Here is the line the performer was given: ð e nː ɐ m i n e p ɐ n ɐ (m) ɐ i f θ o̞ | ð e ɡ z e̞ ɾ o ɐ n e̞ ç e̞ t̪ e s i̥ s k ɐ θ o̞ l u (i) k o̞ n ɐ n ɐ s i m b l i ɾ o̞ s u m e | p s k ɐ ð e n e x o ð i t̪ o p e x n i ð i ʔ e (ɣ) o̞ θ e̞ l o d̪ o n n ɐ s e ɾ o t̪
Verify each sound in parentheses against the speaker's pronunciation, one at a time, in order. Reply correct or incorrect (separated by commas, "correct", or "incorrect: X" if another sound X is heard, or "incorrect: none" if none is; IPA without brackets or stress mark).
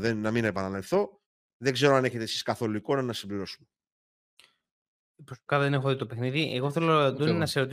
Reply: incorrect: n, correct, correct